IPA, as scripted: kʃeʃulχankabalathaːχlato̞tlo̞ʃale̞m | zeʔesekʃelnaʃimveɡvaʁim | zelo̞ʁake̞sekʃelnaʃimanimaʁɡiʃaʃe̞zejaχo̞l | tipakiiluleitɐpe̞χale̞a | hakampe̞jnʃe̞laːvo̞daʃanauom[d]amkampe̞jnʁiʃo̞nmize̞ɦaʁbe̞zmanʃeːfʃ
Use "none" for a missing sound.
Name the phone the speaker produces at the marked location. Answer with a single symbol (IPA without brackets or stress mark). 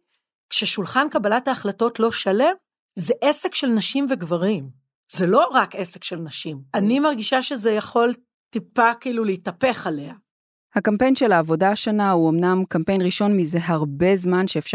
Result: n